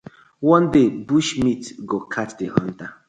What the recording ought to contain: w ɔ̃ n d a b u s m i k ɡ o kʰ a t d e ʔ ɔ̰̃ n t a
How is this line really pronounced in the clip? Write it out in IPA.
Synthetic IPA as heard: w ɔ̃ n d e b u ʃ m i t ɡ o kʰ a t d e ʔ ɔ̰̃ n t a